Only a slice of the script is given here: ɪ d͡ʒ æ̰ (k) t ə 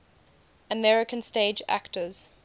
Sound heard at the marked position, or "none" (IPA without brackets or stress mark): k